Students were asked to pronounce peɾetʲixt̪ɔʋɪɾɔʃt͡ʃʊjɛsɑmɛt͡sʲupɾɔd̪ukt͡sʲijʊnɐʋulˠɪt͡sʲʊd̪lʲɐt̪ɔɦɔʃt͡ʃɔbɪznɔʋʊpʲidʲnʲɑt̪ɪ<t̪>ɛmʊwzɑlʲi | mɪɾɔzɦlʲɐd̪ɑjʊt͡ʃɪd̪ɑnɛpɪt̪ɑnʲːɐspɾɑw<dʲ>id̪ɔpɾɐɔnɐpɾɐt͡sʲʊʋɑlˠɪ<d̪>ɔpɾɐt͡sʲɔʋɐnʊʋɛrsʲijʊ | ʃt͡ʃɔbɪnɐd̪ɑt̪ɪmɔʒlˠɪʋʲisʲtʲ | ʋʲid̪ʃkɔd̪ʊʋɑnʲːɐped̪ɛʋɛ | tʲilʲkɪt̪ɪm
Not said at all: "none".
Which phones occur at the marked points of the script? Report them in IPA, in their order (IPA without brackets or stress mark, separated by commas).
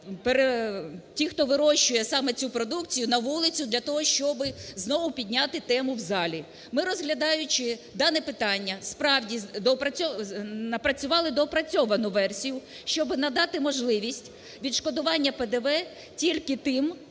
t̪, dʲ, d̪